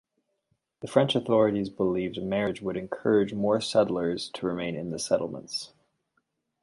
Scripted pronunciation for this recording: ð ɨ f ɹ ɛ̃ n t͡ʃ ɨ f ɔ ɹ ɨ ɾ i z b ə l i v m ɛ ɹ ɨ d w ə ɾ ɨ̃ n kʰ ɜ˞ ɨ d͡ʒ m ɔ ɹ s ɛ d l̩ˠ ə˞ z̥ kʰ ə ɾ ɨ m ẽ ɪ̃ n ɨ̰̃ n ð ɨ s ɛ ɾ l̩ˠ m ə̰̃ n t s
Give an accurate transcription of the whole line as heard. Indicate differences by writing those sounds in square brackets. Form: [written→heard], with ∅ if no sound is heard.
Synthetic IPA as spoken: ð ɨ f ɹ ɛ̃ n t͡ʃ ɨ [f→θ] ɔ ɹ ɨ ɾ i z b ə l i v m ɛ ɹ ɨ [d→d͡ʒ] w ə ɾ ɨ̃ n kʰ ɜ˞ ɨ d͡ʒ m ɔ ɹ s ɛ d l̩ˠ ə˞ z̥ [kʰ→tʰ] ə [ɾ→ɹ] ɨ m ẽ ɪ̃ n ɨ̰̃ n ð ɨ s ɛ ɾ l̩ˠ m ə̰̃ n t s